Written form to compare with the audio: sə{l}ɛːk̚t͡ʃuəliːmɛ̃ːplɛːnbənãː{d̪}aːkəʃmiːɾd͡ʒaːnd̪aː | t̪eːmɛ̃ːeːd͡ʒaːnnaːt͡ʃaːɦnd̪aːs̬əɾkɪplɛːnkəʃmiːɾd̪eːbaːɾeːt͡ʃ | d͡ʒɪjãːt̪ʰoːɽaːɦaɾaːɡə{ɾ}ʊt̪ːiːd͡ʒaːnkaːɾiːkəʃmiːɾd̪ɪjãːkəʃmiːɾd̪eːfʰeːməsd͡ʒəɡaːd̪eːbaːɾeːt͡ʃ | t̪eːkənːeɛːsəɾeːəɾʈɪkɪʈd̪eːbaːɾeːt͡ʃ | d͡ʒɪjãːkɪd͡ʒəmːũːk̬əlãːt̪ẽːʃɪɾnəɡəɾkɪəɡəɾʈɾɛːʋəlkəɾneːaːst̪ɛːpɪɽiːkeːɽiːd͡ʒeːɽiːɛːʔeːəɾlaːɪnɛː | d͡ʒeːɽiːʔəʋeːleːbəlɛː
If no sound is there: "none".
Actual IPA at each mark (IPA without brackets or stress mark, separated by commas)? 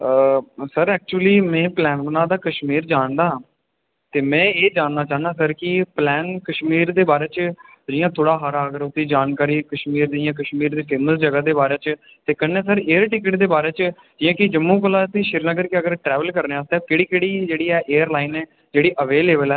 ɾ, d̪, ɾ